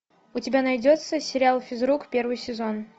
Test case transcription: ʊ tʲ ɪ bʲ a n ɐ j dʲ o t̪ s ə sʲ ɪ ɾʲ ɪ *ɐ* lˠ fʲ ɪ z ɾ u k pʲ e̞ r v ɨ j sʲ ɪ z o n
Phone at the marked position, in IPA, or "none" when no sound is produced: a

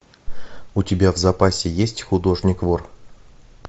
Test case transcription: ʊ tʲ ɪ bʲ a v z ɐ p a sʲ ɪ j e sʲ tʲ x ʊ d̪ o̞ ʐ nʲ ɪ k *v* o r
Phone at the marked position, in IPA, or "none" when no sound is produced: v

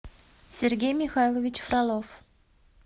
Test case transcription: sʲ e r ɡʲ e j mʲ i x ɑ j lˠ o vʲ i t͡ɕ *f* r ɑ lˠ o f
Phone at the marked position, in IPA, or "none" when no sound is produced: f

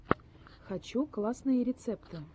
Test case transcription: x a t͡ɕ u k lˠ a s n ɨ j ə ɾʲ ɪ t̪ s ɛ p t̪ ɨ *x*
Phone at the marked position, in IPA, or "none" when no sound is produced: none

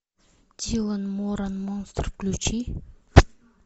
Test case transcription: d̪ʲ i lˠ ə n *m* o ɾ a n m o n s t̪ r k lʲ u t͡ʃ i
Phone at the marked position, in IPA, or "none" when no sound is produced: m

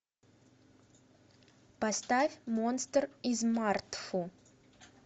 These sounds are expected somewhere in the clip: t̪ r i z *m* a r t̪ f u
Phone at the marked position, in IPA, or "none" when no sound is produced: m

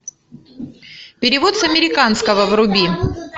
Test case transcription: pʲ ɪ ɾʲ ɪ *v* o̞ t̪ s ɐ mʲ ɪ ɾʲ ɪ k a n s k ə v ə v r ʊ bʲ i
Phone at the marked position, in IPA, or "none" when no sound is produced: v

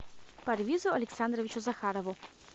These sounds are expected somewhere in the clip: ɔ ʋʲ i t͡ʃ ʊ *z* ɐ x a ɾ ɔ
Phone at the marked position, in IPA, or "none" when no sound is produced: z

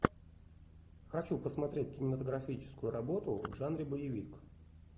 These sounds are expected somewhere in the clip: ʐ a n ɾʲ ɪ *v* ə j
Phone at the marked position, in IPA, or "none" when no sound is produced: b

